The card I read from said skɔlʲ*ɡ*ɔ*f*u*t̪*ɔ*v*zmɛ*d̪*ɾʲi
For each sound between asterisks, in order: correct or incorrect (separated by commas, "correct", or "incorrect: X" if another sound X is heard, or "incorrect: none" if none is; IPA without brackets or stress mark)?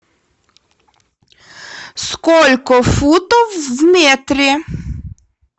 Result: incorrect: k, correct, correct, incorrect: w, incorrect: t̪